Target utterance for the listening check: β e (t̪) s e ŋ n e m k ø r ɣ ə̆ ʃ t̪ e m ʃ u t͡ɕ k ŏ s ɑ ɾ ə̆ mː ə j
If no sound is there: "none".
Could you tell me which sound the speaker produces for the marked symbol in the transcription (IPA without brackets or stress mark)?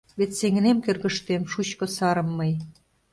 t̪